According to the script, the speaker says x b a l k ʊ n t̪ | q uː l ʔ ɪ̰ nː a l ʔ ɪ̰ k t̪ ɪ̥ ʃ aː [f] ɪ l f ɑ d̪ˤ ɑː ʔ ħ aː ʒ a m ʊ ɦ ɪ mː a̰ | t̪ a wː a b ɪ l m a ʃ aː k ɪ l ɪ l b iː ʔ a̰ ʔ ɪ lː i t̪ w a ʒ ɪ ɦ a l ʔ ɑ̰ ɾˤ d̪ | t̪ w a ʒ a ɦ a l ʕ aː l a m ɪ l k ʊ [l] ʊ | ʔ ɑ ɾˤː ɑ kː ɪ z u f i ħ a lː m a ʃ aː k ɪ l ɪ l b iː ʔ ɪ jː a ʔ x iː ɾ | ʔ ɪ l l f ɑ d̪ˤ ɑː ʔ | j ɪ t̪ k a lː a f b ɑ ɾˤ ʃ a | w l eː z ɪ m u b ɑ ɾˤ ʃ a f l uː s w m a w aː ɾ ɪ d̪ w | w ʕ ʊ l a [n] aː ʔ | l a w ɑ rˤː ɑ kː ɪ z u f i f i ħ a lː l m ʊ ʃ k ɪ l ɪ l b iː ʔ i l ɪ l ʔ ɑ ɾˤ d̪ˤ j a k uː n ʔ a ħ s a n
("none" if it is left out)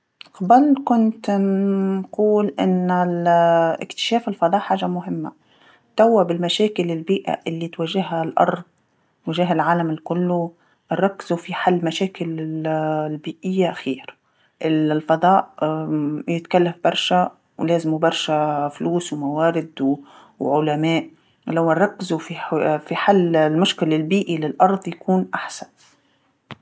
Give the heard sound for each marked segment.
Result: f, lː, m

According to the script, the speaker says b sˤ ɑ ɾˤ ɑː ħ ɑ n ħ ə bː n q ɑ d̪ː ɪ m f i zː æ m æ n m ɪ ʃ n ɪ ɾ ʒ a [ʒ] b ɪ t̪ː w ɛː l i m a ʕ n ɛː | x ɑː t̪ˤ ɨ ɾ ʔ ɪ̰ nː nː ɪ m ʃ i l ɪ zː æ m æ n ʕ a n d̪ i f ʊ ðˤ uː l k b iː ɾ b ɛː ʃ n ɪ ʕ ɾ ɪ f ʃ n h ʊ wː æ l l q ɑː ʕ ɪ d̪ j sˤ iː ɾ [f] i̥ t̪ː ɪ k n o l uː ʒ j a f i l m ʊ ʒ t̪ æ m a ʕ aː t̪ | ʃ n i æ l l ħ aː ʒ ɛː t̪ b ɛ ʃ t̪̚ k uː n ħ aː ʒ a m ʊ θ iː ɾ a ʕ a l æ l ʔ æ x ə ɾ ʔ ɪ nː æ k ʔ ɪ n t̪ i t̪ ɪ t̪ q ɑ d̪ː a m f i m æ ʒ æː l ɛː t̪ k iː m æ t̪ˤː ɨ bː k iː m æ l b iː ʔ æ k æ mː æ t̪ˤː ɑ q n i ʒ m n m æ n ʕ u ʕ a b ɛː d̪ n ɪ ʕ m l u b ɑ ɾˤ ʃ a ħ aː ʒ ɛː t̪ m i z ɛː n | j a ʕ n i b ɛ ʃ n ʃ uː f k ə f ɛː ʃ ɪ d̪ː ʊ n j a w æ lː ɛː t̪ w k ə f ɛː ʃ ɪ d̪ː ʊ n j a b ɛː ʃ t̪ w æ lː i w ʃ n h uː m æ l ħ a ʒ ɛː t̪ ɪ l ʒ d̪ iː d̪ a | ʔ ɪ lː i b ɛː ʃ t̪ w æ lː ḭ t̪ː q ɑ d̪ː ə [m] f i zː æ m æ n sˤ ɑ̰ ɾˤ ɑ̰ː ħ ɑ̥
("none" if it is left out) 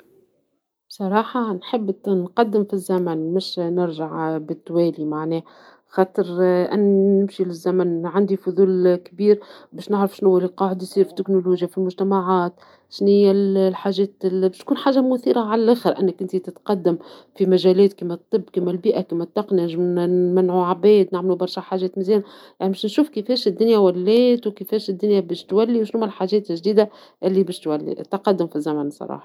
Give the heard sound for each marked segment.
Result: ʕ, f, m

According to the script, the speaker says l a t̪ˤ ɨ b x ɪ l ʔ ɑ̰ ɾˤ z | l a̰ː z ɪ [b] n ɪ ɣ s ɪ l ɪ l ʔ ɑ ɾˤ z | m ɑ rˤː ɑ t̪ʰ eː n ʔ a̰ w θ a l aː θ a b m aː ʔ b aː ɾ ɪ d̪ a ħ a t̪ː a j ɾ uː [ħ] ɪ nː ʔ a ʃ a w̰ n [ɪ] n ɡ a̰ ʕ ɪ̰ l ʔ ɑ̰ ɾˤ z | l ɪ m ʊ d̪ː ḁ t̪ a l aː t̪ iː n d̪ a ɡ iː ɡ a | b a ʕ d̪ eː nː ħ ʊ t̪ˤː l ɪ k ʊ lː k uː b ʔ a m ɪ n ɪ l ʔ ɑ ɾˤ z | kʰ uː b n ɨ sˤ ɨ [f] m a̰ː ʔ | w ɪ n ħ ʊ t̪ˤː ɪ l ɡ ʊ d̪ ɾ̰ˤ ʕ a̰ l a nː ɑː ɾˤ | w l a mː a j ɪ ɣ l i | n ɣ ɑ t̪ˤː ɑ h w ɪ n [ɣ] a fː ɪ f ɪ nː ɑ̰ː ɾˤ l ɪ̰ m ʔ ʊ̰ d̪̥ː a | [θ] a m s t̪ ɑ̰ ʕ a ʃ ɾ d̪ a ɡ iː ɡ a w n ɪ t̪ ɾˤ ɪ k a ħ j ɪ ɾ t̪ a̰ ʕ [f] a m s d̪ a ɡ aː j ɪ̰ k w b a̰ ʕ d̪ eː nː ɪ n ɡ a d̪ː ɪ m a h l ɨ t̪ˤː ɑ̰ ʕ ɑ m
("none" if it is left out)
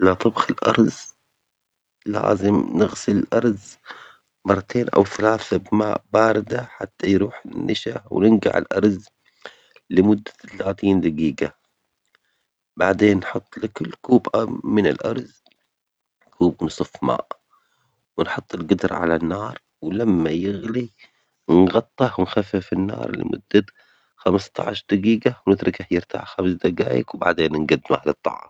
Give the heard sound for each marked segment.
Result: m, ħ, ɪ, f, x, x, x

